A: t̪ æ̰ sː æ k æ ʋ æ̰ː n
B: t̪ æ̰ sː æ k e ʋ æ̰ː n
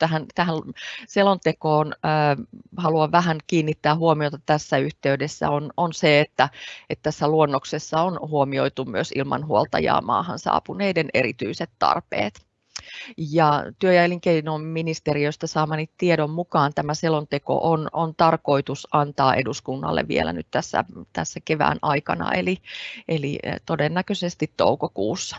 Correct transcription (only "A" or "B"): B